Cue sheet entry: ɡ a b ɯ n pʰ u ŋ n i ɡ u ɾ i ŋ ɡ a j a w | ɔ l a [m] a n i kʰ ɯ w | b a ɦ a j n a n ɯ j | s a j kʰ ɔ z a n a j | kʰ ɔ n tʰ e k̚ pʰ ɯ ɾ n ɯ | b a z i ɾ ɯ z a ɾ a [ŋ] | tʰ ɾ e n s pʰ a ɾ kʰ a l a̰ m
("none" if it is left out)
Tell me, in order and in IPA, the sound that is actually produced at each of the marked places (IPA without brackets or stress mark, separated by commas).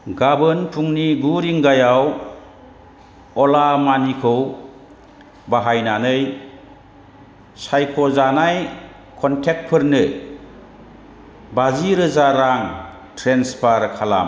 m, ŋ